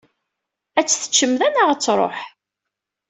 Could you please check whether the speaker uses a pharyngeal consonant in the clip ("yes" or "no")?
yes